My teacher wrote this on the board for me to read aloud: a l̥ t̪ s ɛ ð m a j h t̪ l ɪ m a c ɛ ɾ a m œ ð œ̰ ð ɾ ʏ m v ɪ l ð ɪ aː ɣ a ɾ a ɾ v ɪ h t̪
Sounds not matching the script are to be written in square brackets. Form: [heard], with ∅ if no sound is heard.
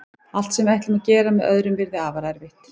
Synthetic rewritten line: a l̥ t̪ s ɛ [∅] m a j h t̪ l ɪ m a c [ɛː] ɾ a m [ɛ] ð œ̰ ð ɾ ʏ m v ɪ [ɾ] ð ɪ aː [v] a ɾ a ɾ v ɪ h t̪